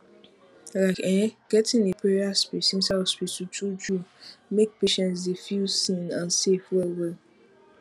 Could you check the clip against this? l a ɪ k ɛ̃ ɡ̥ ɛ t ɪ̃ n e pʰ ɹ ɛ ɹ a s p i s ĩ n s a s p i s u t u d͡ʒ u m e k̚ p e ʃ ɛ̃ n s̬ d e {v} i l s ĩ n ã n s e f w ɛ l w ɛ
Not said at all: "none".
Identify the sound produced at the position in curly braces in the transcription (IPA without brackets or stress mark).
f